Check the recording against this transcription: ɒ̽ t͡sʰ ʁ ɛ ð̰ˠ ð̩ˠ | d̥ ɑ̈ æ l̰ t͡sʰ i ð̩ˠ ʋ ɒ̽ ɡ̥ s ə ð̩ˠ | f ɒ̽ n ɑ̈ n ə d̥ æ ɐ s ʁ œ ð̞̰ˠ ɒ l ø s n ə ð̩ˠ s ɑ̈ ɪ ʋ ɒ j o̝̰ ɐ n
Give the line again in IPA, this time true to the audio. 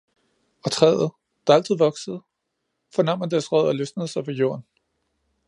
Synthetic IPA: ɒ̽ t͡sʰ ʁ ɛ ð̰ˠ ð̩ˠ | d̥ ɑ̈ æ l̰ t͡sʰ i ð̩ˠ ʋ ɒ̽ ɡ̥ s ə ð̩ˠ | f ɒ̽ n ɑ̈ m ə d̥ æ ɐ s ʁ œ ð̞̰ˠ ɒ l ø s n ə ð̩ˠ s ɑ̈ ɪ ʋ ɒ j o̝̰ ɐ n

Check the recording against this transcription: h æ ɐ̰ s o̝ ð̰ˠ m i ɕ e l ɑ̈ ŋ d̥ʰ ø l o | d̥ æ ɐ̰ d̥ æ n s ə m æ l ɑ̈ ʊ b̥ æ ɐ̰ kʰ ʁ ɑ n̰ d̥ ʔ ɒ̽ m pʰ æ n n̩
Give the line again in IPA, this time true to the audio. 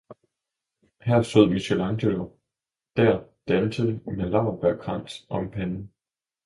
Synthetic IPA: h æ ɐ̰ s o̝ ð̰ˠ m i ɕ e l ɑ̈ ŋ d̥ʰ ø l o | d̥ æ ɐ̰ d̥ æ n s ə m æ l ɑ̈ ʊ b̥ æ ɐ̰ kʰ ʁ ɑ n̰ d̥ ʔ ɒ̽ m pʰ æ n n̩

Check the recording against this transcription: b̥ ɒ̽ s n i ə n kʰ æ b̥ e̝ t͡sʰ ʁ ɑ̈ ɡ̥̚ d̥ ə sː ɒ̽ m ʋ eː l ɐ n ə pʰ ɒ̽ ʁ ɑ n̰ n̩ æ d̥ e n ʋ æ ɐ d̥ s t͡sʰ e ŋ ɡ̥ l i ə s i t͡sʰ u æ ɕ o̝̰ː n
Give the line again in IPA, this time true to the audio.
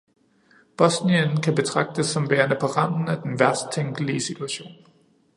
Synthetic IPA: b̥ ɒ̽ s n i ə n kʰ æ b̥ e̝ t͡sʰ ʁ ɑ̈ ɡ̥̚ d̥ ə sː ɒ̽ m ʋ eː ɐ n ə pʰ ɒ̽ ʁ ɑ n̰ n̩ æ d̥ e n ʋ æ ɐ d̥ s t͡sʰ e ŋ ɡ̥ l i ə s i t͡sʰ u æ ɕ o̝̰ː n

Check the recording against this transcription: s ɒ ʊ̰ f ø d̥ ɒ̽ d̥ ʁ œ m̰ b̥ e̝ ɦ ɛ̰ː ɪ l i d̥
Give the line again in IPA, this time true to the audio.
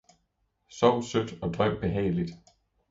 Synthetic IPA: s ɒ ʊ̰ s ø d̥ ɒ̽ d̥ ʁ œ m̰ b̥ e̝ ɦ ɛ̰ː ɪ l i d̥

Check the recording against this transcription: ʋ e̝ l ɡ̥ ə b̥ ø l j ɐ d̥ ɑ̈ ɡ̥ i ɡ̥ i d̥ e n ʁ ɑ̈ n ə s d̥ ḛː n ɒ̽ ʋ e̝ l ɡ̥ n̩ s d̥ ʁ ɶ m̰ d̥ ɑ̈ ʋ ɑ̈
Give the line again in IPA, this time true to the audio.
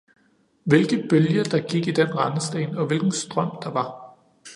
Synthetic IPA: ʋ e̝ l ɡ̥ ə b̥ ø l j ɐ d̥ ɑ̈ ɡ̥ i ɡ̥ i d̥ e n ʁ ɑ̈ n ə s d̥ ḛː n ɒ̽ ʋ e̝ l ɡ̥ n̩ s d̥ ʁ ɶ m̰ d̥ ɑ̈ ʋ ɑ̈

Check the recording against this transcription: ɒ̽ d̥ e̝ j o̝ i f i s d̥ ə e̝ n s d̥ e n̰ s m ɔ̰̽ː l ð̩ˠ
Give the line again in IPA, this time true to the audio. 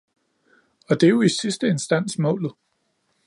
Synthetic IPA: ɒ̽ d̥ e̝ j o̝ i s i s d̥ ə e̝ n s d̥ æ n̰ s m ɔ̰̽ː l ð̩ˠ

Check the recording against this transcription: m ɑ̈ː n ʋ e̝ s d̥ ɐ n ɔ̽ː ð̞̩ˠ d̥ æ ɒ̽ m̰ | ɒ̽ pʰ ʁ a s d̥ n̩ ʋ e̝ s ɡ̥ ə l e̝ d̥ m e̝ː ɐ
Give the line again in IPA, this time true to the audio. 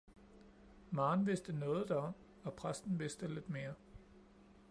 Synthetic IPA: m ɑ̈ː n ʋ e̝ s d̥ ə n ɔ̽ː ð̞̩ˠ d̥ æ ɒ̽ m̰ | ɒ̽ pʰ ʁ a s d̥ n̩ ʋ e̝ s d̥ ə l e̝ d̥ m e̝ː ɐ

